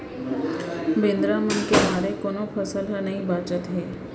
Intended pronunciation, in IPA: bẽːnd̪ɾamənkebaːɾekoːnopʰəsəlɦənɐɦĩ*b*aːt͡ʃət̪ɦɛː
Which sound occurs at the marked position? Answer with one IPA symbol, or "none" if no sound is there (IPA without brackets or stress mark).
b